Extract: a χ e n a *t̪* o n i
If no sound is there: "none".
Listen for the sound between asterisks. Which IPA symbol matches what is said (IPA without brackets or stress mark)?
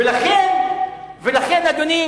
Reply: d̪